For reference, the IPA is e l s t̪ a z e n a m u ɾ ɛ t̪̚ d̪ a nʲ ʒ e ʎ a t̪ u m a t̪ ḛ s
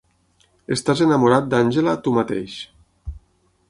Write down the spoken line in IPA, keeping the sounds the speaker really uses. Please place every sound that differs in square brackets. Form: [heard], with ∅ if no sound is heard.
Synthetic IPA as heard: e [∅] s t̪ a z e n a m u ɾ [a] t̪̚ d̪ a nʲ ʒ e [l] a t̪ u m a t̪ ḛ [ʃ]